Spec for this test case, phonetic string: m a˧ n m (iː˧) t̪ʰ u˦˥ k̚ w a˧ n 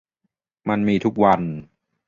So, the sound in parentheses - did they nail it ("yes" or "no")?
yes